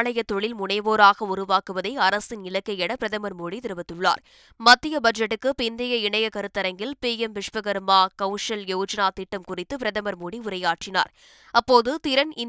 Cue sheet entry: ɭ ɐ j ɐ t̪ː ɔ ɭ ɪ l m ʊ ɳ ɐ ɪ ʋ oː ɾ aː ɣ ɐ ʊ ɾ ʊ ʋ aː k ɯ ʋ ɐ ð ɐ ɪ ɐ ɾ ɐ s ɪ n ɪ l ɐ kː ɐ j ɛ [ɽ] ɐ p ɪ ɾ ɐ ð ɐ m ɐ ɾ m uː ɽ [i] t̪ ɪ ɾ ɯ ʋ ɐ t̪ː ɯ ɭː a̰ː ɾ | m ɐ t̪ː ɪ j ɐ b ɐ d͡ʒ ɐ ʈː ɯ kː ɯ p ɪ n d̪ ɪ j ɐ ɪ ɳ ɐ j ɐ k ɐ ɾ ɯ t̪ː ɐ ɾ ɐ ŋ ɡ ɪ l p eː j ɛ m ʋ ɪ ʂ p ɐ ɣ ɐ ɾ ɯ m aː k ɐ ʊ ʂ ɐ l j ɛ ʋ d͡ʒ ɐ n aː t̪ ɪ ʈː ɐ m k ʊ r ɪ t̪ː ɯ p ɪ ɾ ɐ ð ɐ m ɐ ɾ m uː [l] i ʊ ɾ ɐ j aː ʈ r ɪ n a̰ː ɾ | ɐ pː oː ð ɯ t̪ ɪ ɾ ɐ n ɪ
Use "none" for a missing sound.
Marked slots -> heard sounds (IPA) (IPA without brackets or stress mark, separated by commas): ɽ, i, ɽ